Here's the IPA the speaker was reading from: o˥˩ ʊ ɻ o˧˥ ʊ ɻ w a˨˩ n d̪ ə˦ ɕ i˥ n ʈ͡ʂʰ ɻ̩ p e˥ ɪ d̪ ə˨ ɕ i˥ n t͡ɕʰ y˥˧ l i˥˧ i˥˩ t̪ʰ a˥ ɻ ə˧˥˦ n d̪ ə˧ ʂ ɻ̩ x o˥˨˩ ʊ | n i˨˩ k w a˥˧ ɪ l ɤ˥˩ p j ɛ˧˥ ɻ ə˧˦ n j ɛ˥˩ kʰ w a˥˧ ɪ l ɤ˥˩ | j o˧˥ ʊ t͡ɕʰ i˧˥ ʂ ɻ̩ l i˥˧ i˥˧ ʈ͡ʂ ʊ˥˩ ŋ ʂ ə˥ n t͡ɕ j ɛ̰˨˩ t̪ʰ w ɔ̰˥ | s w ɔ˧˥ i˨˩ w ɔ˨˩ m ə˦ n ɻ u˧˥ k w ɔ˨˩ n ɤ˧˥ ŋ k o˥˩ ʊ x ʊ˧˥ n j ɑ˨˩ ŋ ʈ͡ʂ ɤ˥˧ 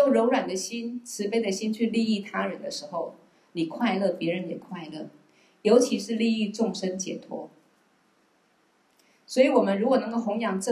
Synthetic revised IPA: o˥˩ ʊ ɻ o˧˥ ʊ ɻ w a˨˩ n d̪ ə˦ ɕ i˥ n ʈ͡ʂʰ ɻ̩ p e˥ ɪ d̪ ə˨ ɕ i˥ n t͡ɕʰ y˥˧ l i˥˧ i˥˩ t̪ʰ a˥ ɻ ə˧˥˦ n d̪ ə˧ ʂ ɻ̩ x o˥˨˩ ʊ | n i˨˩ kʰ w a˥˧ ɪ l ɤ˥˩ p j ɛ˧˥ ɻ ə˧˦ n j ɛ˨˩ kʰ w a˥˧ ɪ l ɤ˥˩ | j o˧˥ ʊ t͡ɕʰ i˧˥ ʂ ɻ̩ l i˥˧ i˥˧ ʈ͡ʂ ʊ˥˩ ŋ ʂ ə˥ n t͡ɕ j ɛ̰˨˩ t̪ʰ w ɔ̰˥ | s w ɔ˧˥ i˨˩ w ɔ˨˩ m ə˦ n ɻ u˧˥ k w ɔ˨˩ n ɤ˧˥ ŋ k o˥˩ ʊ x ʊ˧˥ ŋ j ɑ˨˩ ŋ ʈ͡ʂ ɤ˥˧